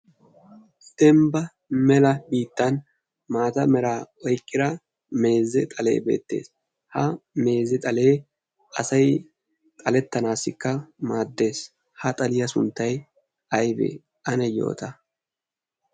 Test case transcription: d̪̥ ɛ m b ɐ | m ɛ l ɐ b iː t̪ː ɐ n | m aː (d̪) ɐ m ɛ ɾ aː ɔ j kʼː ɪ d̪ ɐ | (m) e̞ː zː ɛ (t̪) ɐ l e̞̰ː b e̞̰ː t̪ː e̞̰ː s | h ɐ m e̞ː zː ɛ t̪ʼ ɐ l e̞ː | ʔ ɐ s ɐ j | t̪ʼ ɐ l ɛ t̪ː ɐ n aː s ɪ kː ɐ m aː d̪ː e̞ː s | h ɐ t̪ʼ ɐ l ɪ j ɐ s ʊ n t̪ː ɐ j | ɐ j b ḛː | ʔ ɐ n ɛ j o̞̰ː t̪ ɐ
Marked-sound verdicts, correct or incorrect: incorrect: t̪, correct, incorrect: t̪ʼ

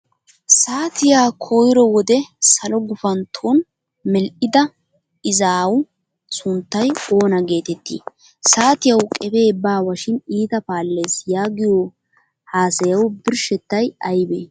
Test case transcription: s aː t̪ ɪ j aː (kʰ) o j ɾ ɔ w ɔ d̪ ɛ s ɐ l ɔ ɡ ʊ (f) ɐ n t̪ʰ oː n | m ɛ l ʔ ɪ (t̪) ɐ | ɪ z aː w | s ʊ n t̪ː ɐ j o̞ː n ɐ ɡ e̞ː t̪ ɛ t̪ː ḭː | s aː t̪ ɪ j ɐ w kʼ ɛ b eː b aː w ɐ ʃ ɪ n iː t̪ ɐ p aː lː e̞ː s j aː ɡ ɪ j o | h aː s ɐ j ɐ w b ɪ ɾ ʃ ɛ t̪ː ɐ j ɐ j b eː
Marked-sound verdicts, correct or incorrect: correct, correct, incorrect: d̪

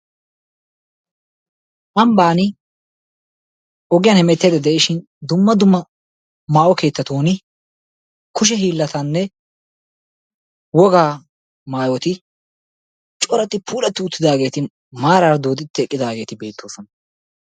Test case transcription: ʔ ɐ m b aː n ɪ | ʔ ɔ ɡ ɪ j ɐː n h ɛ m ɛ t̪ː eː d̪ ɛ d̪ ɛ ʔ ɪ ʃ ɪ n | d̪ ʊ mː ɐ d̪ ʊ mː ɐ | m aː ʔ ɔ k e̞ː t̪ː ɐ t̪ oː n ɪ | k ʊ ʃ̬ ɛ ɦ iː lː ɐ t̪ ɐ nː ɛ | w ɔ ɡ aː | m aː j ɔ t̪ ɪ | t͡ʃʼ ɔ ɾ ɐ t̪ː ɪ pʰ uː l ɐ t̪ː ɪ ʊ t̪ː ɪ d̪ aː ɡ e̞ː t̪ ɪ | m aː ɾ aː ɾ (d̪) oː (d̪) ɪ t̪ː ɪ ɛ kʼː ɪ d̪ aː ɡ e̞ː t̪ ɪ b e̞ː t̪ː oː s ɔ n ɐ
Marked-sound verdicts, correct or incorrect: correct, correct

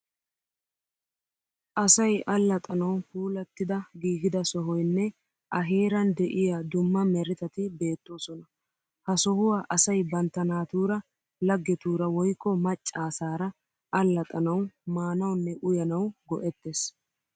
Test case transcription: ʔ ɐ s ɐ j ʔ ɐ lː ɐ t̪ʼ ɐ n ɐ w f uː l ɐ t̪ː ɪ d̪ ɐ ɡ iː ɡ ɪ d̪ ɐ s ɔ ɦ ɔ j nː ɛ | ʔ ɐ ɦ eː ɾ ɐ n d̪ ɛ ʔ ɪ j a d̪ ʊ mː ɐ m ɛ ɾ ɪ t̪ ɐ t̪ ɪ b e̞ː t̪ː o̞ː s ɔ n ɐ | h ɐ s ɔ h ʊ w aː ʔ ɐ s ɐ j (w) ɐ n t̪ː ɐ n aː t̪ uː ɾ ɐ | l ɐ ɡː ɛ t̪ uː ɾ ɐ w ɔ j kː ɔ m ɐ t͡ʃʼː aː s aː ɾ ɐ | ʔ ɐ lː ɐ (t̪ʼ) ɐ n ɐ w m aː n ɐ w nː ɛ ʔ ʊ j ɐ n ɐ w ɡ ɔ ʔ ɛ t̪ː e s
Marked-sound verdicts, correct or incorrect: incorrect: b, correct

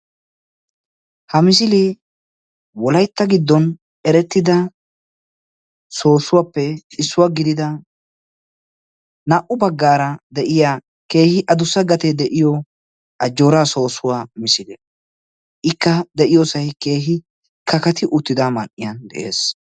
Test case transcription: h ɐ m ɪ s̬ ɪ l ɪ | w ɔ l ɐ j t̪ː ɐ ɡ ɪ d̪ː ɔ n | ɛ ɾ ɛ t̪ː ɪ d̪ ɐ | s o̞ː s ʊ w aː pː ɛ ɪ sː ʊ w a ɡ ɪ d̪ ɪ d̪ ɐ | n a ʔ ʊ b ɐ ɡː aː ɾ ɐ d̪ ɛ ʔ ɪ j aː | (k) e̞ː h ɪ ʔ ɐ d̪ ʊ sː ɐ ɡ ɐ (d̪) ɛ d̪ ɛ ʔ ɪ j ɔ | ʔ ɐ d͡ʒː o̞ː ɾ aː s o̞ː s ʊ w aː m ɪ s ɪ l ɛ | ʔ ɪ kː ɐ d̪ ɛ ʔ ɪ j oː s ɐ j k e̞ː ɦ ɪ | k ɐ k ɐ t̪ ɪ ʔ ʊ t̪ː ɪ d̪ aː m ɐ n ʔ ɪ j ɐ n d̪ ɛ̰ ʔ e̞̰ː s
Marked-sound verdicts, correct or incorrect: correct, incorrect: t̪

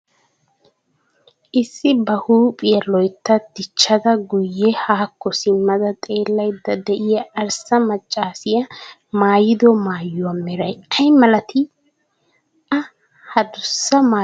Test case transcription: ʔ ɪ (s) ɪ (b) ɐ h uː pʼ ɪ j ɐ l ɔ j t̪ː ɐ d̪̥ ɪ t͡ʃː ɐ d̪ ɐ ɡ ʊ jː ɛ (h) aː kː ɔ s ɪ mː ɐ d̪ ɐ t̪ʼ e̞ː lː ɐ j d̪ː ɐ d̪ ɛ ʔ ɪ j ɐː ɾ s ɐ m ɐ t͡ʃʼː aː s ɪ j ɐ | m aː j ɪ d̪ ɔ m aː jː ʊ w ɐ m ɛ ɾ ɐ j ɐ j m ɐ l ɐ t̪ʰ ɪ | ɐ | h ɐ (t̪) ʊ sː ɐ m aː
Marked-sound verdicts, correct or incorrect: incorrect: sː, correct, correct, incorrect: d̪

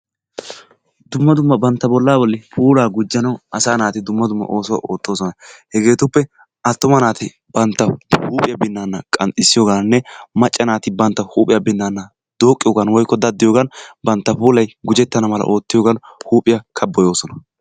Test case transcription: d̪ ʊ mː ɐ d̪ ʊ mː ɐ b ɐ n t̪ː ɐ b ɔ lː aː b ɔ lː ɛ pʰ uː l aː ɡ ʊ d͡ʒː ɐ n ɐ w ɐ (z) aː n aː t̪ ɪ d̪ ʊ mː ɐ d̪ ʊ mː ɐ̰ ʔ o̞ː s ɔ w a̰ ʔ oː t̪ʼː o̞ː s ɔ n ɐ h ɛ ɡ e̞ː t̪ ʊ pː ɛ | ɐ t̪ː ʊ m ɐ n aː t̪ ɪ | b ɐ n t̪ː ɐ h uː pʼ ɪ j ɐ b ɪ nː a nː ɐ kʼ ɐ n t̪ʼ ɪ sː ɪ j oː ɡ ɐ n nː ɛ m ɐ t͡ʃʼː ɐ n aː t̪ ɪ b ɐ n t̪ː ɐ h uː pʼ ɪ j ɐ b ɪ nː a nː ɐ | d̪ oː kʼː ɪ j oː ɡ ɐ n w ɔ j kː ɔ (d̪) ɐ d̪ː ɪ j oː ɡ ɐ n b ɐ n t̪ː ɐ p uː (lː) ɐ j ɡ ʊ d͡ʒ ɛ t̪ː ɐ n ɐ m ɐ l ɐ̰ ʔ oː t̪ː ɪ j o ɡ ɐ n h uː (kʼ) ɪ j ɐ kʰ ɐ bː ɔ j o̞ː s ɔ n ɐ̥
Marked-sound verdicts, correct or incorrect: incorrect: s, correct, incorrect: l, incorrect: pʼ

